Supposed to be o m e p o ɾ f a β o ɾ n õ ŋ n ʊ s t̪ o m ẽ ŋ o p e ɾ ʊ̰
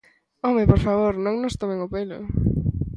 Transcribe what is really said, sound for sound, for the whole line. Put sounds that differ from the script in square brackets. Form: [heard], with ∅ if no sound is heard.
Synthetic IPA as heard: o m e p o ɾ f a β o ɾ n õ ŋ n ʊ s t̪ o m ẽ ŋ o p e [l] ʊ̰